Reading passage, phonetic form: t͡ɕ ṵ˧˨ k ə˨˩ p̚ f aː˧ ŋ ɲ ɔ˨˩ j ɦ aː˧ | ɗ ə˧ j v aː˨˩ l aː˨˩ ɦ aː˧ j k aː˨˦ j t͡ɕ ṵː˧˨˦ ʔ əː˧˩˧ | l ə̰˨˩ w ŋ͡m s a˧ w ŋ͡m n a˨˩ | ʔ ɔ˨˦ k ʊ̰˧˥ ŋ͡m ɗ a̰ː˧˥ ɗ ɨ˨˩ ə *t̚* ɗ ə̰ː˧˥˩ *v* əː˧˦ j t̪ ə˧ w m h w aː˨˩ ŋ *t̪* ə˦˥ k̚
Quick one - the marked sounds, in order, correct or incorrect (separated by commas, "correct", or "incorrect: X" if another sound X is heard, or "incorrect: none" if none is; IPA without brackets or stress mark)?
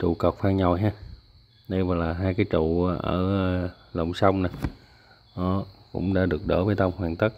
incorrect: k̚, correct, correct